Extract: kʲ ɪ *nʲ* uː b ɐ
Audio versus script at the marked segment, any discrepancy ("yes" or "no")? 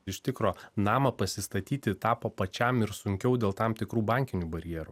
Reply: no